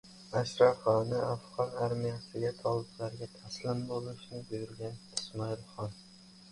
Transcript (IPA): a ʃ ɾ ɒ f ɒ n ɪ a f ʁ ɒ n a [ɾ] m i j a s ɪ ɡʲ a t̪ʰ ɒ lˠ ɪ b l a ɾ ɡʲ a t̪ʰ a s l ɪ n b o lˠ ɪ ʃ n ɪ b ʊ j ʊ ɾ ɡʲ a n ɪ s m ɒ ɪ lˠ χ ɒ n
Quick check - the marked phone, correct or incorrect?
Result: correct